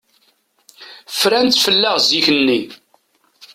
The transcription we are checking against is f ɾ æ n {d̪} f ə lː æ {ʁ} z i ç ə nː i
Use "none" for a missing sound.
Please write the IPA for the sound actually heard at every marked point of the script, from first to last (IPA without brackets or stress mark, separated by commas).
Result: t̪, ʁ